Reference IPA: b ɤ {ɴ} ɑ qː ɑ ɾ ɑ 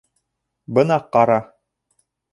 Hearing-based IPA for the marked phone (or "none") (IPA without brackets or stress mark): n